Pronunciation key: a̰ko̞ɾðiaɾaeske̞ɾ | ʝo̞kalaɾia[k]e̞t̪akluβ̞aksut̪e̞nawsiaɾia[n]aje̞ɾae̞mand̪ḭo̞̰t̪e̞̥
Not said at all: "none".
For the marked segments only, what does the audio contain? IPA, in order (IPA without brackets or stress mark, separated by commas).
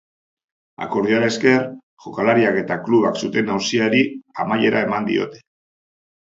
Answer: k, m